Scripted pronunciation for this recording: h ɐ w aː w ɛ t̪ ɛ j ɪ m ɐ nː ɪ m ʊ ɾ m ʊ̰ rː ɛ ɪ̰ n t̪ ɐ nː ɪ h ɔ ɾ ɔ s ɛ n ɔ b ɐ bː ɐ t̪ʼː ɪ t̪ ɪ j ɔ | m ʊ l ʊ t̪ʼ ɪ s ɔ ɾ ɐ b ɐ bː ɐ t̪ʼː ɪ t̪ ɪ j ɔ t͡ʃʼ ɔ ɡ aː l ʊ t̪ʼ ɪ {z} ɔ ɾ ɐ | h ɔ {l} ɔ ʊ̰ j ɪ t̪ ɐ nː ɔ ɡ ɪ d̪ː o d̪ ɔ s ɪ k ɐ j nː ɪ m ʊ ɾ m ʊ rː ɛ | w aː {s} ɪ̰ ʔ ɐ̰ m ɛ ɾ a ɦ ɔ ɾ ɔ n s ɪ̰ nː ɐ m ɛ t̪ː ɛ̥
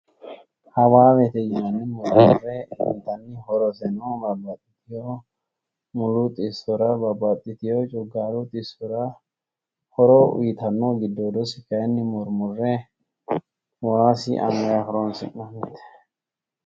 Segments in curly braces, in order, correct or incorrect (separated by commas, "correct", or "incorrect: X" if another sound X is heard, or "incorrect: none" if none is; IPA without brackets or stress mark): incorrect: s, incorrect: ɾ, correct